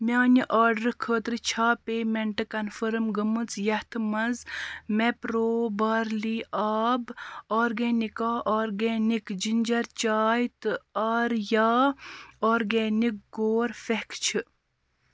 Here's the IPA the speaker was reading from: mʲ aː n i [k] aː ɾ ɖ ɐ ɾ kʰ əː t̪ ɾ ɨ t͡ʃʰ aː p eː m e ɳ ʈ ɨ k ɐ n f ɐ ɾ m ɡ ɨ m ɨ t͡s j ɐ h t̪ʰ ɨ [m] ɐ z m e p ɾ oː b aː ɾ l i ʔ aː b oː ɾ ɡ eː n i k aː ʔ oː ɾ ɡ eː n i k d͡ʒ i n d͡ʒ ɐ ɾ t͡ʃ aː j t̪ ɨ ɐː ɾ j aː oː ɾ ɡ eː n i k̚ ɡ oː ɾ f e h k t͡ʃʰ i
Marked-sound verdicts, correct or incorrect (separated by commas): incorrect, correct